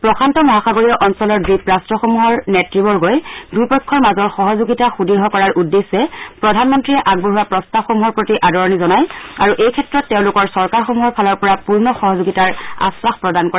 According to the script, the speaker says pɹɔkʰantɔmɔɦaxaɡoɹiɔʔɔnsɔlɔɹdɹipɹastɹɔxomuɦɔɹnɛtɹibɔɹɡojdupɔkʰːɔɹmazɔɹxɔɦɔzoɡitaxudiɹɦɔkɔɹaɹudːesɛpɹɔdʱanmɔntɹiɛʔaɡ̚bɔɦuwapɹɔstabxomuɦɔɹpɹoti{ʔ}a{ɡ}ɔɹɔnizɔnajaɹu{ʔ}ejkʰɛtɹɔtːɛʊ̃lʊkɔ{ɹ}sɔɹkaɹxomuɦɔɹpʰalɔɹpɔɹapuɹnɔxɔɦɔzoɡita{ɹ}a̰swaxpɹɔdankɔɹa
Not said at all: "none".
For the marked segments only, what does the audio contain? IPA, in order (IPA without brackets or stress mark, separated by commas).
ʔ, d, ʔ, ɹ, ɹ